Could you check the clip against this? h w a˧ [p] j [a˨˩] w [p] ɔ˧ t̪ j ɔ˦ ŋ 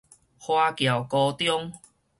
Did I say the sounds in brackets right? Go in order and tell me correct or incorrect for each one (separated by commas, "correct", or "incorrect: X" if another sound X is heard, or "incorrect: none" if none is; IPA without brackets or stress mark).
incorrect: k, correct, incorrect: k